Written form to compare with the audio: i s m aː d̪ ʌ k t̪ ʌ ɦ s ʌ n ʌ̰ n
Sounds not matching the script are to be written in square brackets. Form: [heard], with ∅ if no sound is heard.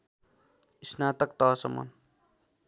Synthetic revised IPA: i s [n] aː [t̪] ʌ k t̪ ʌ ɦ s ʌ [m] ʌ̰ n